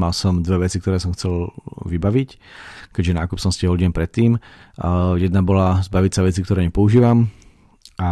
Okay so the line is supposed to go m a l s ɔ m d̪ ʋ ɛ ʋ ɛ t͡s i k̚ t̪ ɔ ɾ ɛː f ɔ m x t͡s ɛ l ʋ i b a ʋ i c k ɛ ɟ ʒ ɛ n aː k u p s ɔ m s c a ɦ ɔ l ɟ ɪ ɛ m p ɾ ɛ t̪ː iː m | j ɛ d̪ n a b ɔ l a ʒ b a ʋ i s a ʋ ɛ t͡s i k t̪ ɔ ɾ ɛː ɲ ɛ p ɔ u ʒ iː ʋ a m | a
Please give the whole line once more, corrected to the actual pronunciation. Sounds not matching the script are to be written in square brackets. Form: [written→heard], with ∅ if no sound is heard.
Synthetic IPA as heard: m a l s ɔ m d̪ ʋ ɛ ʋ ɛ t͡s i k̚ t̪ ɔ ɾ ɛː [f→s] ɔ m x t͡s ɛ l ʋ i b a ʋ i c k ɛ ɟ ʒ ɛ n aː k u p s ɔ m s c [a→ɛ] ɦ ɔ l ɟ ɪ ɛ m p ɾ ɛ t̪ː iː m | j ɛ d̪ n a b ɔ l a [ʒ→z] b a ʋ i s a ʋ ɛ t͡s i k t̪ ɔ ɾ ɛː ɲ ɛ p ɔ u ʒ iː ʋ a m | a